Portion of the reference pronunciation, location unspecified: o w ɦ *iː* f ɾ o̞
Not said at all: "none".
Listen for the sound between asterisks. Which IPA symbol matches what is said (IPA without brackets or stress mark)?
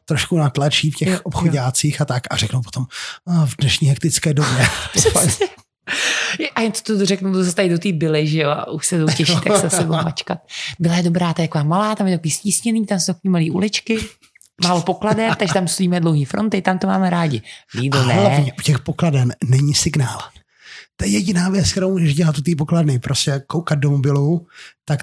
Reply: iː